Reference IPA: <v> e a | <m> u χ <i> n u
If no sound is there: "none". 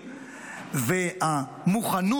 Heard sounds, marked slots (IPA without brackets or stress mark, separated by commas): v, m, a